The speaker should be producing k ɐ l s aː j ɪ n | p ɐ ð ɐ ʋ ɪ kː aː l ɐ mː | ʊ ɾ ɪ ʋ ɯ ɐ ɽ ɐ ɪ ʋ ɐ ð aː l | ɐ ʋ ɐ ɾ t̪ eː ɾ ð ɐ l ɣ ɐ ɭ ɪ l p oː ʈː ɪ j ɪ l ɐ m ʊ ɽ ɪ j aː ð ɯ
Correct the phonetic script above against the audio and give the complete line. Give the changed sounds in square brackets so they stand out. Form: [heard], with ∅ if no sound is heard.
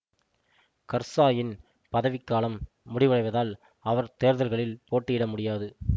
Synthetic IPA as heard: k ɐ [ɾ] s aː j ɪ n | p ɐ ð ɐ ʋ ɪ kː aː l ɐ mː | ʊ [ɽ] ɪ ʋ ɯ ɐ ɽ ɐ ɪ ʋ ɐ ð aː l | ɐ ʋ ɐ ɾ t̪ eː ɾ ð ɐ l ɣ ɐ ɭ ɪ l p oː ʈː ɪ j ɪ [ɽ] ɐ m ʊ ɽ ɪ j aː ð ɯ